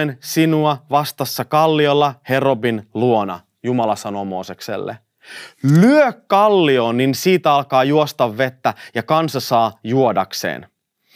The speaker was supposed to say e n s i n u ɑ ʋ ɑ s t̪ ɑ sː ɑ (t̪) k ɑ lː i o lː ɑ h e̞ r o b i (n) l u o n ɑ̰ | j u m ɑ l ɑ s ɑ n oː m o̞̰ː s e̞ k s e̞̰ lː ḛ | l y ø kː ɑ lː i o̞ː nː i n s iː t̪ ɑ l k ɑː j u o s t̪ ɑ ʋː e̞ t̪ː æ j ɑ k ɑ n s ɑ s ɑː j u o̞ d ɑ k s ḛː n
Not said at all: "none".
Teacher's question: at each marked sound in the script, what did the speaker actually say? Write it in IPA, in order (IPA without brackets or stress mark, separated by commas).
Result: none, n